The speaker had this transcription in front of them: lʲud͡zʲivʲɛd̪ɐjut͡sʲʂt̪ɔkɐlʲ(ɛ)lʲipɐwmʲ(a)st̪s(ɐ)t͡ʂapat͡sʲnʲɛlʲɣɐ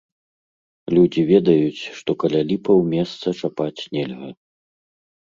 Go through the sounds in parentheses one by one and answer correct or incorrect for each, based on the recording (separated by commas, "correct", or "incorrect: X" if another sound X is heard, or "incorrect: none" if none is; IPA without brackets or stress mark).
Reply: incorrect: a, incorrect: ɛ, correct